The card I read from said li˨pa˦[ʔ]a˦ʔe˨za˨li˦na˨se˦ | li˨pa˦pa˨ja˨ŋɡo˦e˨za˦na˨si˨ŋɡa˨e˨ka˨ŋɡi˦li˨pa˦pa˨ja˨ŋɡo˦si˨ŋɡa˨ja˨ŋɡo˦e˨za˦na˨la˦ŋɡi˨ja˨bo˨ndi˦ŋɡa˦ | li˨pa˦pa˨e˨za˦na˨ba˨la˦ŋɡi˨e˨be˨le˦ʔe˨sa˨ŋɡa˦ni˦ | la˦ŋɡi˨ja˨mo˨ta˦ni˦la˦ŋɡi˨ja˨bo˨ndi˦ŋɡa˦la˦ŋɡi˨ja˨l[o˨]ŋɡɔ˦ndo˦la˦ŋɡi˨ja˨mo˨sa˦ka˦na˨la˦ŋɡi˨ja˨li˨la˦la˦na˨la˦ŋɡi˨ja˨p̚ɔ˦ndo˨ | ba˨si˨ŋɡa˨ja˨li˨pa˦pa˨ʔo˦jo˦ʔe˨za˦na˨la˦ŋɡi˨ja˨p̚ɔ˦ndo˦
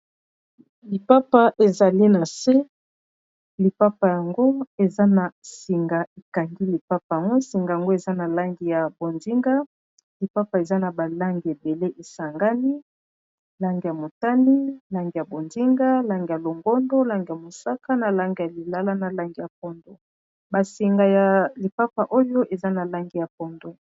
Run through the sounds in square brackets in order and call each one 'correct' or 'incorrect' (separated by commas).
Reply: incorrect, correct